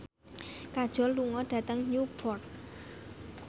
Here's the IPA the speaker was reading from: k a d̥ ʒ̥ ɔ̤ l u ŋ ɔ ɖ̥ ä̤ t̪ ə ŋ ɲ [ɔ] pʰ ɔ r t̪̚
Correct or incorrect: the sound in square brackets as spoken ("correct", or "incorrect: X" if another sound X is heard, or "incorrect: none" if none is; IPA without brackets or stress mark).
incorrect: u